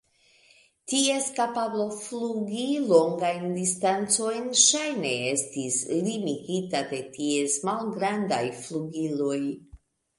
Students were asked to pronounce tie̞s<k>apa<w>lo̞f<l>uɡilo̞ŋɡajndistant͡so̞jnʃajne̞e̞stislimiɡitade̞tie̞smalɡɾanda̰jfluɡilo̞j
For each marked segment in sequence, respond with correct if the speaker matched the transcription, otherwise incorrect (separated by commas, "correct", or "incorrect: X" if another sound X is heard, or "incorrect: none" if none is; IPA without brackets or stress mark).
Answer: correct, incorrect: b, correct